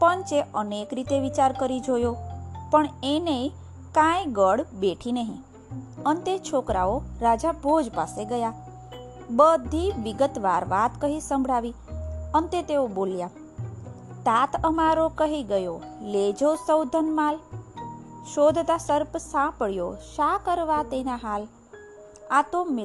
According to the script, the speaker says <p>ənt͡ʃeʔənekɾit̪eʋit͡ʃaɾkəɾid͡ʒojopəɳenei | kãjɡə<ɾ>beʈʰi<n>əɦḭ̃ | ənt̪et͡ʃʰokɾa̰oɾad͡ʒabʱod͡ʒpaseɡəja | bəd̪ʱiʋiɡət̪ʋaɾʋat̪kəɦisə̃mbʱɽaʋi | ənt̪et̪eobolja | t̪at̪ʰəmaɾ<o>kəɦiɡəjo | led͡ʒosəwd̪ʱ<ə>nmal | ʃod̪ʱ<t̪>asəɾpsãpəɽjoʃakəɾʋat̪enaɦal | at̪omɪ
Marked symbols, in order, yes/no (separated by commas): yes, no, yes, yes, yes, yes